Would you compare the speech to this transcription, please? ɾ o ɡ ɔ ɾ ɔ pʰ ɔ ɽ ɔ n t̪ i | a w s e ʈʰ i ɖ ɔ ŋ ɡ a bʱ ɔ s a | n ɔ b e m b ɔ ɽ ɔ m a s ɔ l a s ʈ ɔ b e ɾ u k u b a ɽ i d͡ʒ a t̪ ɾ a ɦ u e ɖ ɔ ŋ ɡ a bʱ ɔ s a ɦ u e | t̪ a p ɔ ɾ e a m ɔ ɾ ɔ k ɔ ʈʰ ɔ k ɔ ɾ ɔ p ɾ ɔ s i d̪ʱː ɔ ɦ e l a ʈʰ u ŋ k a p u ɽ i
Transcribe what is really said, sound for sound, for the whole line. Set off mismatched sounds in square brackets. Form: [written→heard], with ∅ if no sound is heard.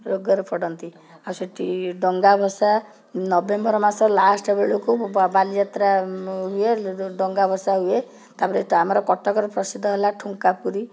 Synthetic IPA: ɾ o ɡ ɔ ɾ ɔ pʰ ɔ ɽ ɔ n t̪ i | a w s e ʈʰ i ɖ ɔ ŋ ɡ a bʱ ɔ s a | n ɔ b e m b ɔ [ɽ→ɾ] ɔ m a s ɔ l a s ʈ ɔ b e [ɾ→ɭ] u k u b a [ɽ→l] i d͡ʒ a t̪ ɾ a ɦ u e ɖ ɔ ŋ ɡ a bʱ ɔ s a ɦ u e | t̪ a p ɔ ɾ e a m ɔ ɾ ɔ k ɔ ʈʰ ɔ k ɔ ɾ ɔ p ɾ ɔ s i d̪ʱː ɔ ɦ e l a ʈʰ u ŋ k a p u [ɽ→ɾ] i